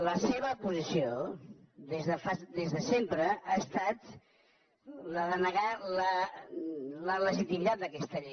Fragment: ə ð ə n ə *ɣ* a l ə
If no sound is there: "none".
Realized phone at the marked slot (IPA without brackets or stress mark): ɣ